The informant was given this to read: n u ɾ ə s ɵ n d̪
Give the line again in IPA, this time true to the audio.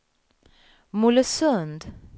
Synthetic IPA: m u l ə s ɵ n d̪